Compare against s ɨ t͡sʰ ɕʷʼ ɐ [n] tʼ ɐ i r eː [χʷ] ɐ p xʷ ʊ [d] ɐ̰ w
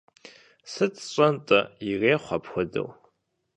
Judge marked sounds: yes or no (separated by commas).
yes, yes, yes